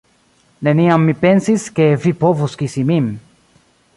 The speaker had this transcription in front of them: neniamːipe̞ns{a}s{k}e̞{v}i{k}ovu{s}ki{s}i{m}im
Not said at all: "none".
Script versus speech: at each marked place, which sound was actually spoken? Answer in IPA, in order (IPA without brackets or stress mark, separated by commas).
i, k, v, p, s, s, m